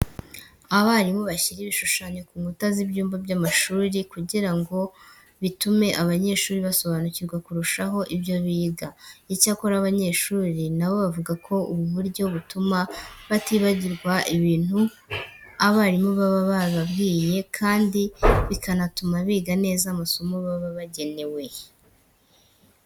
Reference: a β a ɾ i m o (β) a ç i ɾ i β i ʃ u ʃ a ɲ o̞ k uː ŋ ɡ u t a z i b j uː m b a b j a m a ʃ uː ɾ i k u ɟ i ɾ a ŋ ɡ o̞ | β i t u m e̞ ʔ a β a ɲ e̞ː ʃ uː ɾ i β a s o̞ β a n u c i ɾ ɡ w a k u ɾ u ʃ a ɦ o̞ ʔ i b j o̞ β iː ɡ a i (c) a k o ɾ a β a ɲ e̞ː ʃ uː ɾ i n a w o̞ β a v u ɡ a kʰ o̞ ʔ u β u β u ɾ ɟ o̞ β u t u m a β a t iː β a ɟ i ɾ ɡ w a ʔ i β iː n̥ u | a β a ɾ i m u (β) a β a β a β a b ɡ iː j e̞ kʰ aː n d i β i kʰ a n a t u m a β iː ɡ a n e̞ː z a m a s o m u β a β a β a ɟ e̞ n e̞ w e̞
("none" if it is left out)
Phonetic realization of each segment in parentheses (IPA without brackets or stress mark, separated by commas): β, c, β